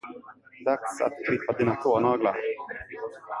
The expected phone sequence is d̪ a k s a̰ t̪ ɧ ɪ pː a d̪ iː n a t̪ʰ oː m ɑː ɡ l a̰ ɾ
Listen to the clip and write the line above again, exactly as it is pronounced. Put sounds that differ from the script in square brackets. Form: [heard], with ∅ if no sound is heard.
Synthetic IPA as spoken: d̪ a k s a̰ t̪ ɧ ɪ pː a d̪ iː n a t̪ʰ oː [n] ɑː ɡ l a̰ ɾ